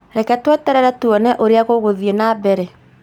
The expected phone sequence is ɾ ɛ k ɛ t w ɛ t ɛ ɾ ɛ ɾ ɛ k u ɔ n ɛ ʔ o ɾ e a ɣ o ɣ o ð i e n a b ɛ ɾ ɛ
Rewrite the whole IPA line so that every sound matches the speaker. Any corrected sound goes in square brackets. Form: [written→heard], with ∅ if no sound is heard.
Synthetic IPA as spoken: ɾ ɛ k ɛ t w ɛ t ɛ ɾ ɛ ɾ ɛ [k→t] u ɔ n ɛ ʔ o ɾ e a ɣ o ɣ o ð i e n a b ɛ ɾ ɛ

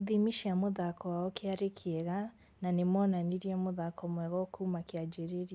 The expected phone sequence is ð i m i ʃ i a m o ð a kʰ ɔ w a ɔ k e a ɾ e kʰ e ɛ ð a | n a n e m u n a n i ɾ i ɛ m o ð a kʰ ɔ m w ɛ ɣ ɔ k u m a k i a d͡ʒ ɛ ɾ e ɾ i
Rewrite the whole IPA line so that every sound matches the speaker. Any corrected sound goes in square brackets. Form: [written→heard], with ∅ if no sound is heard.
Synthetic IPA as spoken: ð i m i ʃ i a m o ð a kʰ ɔ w a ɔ k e a ɾ e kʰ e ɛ [ð→ɣ] a | n a n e m [u→ɔ] n a n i ɾ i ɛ m o ð a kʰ ɔ m w ɛ ɣ ɔ k u m a k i a d͡ʒ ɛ ɾ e ɾ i

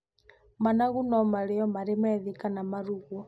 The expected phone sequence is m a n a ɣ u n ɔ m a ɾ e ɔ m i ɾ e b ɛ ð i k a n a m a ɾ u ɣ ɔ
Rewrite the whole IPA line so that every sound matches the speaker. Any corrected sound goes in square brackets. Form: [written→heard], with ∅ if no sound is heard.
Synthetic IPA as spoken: m a n a ɣ u n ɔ m a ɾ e ɔ m [i→a] ɾ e [b→m] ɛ ð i k a n a m a ɾ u ɣ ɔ

